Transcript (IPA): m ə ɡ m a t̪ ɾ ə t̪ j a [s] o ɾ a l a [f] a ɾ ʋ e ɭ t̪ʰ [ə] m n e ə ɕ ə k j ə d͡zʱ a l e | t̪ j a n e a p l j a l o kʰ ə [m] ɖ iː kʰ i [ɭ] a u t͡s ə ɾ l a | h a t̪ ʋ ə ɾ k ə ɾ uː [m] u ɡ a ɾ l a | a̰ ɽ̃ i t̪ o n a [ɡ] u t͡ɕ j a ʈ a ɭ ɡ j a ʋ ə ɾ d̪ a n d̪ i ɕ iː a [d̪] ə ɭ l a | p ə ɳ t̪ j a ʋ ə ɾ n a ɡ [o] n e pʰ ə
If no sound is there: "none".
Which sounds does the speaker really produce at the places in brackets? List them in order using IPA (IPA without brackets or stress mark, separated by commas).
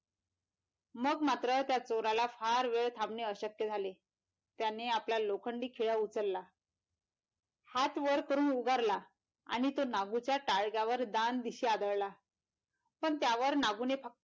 t͡s, f, a, ɳ, ɭ, n, ɡ, d̪, u